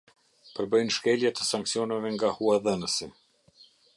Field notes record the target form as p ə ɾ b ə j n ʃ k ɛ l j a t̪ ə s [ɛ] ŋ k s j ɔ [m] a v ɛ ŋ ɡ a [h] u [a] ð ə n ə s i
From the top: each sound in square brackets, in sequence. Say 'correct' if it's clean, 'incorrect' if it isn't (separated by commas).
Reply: incorrect, incorrect, correct, correct